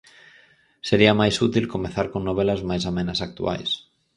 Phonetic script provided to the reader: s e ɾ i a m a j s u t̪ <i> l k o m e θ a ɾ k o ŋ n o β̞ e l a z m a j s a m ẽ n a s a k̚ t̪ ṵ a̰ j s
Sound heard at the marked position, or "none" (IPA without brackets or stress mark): i